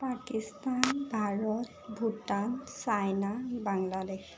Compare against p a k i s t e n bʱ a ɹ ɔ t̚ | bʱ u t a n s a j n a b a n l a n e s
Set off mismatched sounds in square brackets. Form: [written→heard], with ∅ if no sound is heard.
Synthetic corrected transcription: p a k i s t [e→a] n bʱ a ɹ ɔ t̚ | bʱ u t a n s a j n a b a [n→ŋ] l a [n→d] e [s→x]